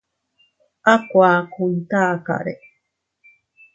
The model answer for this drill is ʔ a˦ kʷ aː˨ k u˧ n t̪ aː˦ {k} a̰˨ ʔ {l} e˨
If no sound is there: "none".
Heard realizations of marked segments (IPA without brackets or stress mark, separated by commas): k, ɾ